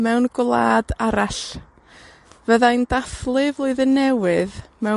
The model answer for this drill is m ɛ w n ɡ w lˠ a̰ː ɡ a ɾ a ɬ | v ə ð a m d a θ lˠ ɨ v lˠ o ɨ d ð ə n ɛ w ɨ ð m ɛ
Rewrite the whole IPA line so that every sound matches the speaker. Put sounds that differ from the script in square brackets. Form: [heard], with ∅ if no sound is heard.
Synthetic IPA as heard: m ɛ w n ɡ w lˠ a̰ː [d] a ɾ a ɬ | v ə ð a [n] d a θ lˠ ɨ v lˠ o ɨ [∅] ð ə n ɛ w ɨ ð m ɛ